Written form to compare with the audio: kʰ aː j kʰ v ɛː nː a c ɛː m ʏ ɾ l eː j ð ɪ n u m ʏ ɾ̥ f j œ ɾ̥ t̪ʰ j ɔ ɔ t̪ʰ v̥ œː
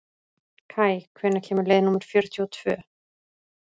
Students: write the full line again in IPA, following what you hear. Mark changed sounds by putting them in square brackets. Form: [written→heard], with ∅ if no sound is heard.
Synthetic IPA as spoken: kʰ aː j kʰ v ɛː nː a [c→cʰ] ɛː m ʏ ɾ l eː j ð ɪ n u m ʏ ɾ̥ f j œ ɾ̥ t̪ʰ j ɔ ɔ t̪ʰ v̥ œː